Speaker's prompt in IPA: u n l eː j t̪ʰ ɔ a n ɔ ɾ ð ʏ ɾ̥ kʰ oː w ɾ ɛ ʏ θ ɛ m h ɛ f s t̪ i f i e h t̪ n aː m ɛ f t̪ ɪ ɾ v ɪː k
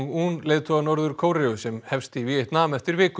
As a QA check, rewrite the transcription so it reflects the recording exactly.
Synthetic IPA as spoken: u n l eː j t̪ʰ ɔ a n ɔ ɾ ð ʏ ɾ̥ kʰ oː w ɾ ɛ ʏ s ɛ m h ɛ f s t̪ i v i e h t̪ n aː m ɛ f t̪ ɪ ɾ v ɪː k